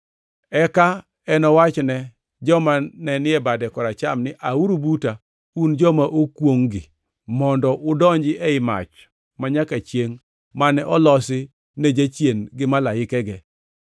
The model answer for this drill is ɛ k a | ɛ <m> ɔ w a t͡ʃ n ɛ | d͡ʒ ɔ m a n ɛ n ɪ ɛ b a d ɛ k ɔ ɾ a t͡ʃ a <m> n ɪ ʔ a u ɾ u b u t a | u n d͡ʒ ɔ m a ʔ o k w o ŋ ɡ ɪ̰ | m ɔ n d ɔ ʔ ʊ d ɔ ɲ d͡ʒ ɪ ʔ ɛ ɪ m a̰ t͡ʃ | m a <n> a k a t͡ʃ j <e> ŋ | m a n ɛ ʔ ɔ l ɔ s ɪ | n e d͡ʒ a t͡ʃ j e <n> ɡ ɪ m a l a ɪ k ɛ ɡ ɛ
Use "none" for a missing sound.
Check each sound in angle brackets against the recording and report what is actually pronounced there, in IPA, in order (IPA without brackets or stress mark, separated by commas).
n, m, ɲ, e, n